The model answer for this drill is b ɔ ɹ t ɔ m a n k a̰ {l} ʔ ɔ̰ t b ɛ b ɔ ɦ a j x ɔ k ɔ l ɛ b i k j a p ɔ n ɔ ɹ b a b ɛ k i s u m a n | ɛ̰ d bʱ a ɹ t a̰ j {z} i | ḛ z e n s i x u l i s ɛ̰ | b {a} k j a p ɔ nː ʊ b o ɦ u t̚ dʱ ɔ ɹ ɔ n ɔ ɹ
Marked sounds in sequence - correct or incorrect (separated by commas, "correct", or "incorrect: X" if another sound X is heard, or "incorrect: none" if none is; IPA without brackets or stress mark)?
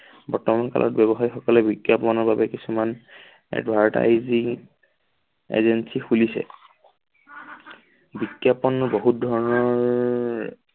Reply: correct, correct, incorrect: i